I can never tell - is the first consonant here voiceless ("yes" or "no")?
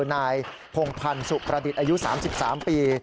no